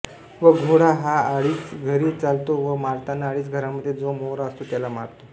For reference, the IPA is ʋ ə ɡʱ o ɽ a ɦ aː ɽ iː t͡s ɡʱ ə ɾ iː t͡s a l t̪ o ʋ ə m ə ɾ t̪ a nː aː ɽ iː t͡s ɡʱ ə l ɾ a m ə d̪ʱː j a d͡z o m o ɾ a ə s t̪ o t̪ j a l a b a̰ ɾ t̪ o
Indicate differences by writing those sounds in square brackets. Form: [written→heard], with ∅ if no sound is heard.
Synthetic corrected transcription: ʋ ə ɡʱ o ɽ a ɦ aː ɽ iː t͡s ɡʱ ə ɾ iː t͡s a l t̪ o ʋ ə m [ə→a] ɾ t̪ a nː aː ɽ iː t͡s ɡʱ ə [l→∅] ɾ a m ə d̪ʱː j [a→e] d͡z o m o ɾ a ə s t̪ o t̪ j a l a [b→m] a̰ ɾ t̪ o